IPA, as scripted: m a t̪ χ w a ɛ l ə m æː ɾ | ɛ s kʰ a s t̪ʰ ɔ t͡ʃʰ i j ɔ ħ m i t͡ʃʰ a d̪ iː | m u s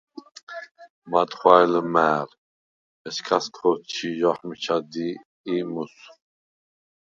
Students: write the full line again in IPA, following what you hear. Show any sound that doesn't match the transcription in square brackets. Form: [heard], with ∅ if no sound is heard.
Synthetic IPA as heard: m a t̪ χ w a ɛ l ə m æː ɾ | ɛ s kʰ a s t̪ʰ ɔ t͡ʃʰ i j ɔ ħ m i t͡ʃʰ a d̪ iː | m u s